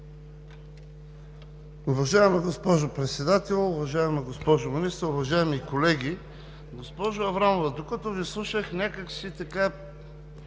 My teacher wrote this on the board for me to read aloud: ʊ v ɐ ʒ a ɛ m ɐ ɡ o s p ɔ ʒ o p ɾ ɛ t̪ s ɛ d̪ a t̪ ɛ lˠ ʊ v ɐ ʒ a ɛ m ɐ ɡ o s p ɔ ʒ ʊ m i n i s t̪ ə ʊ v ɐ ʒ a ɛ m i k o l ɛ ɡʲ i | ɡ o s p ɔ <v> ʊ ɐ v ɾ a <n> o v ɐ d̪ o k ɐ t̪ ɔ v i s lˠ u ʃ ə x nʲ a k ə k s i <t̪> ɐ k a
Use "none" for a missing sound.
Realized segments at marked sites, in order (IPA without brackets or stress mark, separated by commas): ʒ, m, t̪